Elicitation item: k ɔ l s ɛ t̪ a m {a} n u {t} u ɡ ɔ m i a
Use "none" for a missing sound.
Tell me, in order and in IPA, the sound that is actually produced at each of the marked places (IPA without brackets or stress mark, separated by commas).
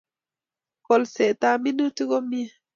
i, t